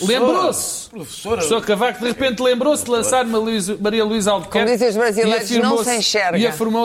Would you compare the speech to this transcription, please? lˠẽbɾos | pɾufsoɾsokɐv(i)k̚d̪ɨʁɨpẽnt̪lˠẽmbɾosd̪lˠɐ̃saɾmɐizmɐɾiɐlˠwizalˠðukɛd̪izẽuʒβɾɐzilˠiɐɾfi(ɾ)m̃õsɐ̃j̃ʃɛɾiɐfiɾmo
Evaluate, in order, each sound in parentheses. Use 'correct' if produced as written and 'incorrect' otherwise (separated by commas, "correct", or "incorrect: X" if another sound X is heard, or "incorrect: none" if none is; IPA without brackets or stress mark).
incorrect: a, correct